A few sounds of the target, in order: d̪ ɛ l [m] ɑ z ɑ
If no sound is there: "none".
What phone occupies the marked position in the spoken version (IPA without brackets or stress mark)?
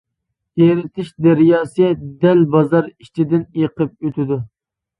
b